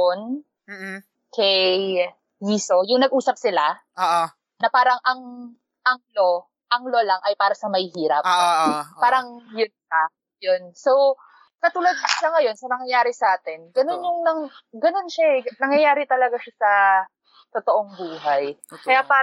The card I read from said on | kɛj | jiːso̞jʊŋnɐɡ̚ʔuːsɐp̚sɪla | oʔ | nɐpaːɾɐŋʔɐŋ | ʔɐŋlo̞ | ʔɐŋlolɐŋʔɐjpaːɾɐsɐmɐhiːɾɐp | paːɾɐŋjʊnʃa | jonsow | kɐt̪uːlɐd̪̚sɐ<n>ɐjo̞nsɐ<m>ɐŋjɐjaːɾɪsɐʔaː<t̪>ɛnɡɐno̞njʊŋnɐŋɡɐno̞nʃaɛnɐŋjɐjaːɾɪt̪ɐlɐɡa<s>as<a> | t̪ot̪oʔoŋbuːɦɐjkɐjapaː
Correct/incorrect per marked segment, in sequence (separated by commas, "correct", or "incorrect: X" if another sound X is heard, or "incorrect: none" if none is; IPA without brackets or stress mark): incorrect: ŋ, incorrect: n, correct, incorrect: ʃ, incorrect: ɐ